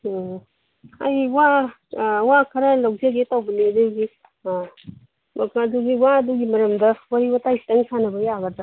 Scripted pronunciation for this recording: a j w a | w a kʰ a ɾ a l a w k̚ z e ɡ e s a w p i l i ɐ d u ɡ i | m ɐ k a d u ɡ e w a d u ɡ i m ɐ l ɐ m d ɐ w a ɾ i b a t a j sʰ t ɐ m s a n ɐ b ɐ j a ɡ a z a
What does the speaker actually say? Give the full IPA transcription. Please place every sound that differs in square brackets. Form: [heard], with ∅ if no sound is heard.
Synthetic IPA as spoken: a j w a | w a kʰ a ɾ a l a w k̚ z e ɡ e [t] a w [b] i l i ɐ d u ɡ i | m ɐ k a d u ɡ [i] w a d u ɡ i m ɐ [ɾ] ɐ m d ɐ w a ɾ i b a t a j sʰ t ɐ [ŋ] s a n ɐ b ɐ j a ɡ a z a